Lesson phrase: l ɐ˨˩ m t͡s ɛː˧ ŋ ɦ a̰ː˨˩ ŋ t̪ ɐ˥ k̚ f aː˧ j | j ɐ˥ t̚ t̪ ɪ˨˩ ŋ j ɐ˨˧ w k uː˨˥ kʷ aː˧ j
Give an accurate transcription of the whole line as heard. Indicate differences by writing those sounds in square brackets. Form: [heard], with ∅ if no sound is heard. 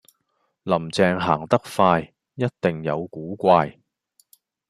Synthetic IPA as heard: l ɐ˨˩ m t͡s ɛː˧ ŋ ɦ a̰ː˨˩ ŋ t̪ ɐ˥ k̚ f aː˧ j | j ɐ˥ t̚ t̪ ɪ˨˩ ŋ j ɐ˨˧ w k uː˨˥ kʷ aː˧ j